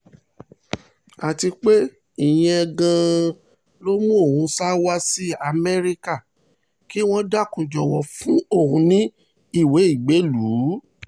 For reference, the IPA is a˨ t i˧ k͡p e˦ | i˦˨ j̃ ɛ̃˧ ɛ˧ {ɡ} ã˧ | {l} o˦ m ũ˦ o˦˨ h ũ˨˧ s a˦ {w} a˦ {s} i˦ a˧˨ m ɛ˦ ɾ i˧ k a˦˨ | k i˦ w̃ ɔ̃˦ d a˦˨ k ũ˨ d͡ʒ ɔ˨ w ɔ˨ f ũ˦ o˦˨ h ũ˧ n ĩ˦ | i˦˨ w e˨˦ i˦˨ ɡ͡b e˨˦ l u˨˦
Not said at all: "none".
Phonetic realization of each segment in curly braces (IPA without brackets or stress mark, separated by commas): ɡ, l, w, s